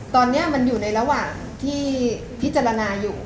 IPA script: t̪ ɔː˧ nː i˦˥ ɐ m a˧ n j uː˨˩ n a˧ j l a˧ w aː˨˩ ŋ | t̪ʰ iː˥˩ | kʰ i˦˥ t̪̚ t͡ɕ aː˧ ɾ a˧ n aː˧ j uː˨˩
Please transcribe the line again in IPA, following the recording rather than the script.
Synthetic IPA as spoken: t̪ ɔː˧ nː i˦˥ ɐ m a˧ n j uː˨˩ n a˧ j ɾ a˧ w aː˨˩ ŋ | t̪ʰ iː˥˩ | pʰ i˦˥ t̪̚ t͡ɕ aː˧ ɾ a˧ n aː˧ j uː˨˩

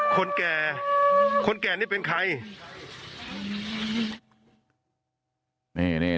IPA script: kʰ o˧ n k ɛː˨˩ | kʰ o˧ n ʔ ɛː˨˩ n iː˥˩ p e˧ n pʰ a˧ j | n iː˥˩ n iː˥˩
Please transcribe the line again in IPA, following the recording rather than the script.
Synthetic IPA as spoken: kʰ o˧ n k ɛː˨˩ | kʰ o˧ n k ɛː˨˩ n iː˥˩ p e˧ n kʰ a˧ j | n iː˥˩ n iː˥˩

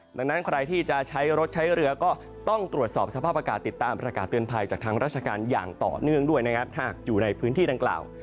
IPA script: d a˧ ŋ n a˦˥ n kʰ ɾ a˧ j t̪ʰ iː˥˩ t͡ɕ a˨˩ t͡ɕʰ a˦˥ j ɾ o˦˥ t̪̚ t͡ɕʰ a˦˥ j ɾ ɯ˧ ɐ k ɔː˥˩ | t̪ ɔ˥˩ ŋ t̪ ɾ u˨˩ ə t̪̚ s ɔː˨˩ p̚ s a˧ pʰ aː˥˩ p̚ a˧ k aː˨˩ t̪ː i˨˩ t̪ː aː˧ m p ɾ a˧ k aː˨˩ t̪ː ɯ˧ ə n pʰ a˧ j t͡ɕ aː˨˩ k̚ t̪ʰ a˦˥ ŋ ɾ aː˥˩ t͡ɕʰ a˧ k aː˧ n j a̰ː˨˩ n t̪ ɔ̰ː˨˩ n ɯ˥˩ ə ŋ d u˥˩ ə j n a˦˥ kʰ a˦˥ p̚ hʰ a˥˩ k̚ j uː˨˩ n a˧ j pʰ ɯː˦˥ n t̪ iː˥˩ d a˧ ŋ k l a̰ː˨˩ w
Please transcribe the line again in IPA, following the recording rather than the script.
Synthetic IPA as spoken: d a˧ ŋ n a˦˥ n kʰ ɾ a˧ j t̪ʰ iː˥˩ t͡ɕ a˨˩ t͡ɕʰ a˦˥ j ɾ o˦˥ t̪̚ t͡ɕʰ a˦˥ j ɾ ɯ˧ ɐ k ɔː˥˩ | t̪ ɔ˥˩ ŋ t̪ ɾ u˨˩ ə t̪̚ s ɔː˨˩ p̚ s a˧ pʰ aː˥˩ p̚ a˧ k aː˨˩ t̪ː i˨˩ t̪ː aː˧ m p ɾ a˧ k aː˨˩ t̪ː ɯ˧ ə n pʰ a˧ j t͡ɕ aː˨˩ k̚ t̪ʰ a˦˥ ŋ ɾ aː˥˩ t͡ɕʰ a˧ k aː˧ n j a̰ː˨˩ ŋ t̪ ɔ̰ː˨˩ n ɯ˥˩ ə ŋ d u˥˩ ə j n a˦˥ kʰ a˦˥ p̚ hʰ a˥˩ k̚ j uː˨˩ n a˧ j pʰ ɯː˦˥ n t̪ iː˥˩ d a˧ ŋ k l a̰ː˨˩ w

